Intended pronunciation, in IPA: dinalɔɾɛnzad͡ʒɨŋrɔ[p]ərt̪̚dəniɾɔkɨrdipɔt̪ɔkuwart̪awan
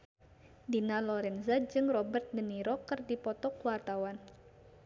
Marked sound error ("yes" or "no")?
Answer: yes